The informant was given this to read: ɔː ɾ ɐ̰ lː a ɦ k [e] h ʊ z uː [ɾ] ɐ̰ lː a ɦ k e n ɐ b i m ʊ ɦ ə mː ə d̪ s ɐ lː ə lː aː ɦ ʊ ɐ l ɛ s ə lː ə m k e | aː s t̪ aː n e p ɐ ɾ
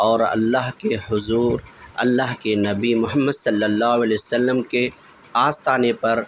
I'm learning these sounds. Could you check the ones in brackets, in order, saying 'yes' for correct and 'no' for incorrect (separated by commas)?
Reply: yes, yes